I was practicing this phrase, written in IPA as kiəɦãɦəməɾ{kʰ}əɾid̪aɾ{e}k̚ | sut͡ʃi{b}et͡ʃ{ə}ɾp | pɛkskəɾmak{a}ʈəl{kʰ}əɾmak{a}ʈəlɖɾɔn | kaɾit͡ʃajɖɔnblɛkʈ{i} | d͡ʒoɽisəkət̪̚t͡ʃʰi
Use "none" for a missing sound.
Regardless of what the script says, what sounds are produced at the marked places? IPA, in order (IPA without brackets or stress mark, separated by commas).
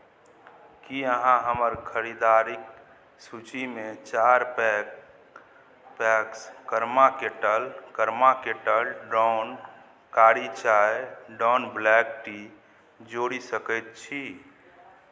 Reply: kʰ, i, m, a, e, k, e, i